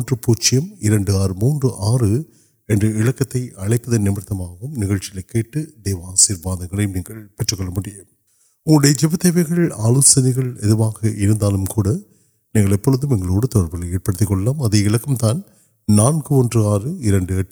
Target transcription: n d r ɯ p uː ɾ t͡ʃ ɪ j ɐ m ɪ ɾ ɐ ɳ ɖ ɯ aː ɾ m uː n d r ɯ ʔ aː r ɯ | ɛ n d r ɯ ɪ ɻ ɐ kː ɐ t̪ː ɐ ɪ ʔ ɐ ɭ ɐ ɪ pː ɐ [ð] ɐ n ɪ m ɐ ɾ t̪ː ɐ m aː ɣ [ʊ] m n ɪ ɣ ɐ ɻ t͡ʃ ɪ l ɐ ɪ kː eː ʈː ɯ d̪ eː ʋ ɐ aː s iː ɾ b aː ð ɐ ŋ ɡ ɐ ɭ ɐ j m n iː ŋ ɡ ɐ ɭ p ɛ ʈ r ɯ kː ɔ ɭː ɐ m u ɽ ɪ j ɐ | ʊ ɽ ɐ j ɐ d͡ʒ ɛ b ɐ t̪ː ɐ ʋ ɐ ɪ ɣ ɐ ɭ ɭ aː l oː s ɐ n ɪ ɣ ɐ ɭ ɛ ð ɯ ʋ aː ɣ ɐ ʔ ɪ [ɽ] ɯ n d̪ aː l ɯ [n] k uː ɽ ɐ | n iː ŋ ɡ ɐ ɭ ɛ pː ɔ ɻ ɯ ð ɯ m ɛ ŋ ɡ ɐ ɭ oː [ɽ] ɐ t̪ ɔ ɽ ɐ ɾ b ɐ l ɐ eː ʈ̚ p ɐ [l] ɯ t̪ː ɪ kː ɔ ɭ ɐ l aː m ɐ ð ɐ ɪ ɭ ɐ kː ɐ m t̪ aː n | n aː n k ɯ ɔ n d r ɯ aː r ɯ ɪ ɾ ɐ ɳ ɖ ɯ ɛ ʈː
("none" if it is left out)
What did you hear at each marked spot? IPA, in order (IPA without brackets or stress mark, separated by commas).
ð, ɯ, ɾ, m, ɽ, ɽ